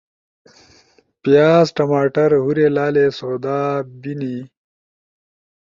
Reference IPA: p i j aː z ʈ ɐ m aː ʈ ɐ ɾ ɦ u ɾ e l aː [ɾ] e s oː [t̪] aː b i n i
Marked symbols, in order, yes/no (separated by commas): no, no